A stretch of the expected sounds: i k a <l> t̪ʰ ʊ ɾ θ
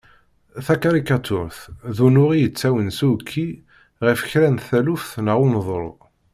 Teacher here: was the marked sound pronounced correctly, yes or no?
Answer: no